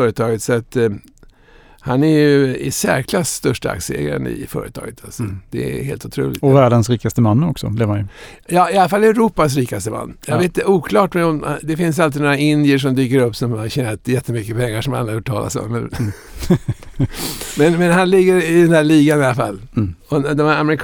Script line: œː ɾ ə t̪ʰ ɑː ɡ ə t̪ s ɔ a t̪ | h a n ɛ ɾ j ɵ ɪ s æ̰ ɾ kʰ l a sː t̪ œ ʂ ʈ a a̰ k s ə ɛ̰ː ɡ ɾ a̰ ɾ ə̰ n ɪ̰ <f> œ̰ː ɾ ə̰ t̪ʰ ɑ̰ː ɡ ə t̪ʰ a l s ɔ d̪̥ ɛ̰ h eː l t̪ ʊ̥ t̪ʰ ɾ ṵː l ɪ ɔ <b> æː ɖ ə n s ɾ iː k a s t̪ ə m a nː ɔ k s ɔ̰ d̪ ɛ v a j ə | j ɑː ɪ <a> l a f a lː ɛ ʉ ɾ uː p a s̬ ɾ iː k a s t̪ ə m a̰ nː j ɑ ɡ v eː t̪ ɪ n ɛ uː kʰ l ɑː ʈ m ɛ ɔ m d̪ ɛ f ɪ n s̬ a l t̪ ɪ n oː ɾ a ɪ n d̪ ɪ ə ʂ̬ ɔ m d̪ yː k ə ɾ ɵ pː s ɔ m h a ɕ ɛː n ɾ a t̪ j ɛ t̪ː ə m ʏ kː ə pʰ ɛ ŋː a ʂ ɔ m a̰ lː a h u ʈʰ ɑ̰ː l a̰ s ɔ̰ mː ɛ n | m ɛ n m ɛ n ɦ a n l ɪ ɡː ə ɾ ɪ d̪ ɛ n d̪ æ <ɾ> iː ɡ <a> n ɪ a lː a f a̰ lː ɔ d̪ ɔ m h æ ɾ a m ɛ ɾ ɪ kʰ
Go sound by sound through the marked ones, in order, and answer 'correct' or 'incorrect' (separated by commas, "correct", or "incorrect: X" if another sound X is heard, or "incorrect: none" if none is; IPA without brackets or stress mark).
correct, incorrect: v, correct, incorrect: ɭ, correct